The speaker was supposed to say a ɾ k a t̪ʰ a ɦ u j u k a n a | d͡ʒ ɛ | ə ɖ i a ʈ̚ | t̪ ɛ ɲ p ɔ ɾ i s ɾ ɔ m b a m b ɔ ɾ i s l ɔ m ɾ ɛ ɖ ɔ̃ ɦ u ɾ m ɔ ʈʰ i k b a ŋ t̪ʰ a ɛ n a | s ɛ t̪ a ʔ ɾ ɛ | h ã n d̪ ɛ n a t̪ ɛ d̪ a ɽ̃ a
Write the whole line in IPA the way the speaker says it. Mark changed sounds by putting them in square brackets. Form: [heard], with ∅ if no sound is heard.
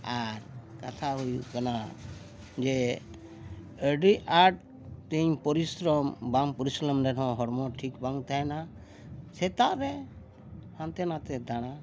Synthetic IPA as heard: a ɾ k a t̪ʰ a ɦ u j u k a n a | d͡ʒ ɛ | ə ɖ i a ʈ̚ | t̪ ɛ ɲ p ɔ ɾ i s ɾ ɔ m b a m [p] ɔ ɾ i s l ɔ m ɾ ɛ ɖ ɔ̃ ɦ [ɔ] ɾ m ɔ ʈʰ i k b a ŋ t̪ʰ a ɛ n a | s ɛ t̪ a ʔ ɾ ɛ | h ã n [t̪] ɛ n a t̪ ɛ d̪ a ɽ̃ a